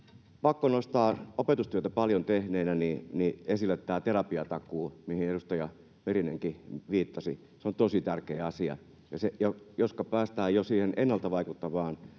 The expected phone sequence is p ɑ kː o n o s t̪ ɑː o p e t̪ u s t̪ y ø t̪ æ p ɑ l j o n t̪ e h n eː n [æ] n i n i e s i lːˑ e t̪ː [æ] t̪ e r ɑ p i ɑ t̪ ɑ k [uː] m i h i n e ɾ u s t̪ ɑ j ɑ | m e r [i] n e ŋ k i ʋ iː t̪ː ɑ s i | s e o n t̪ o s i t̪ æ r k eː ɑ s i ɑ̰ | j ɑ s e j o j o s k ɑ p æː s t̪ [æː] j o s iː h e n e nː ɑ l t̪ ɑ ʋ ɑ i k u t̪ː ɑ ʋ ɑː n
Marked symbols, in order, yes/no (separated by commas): yes, no, yes, yes, yes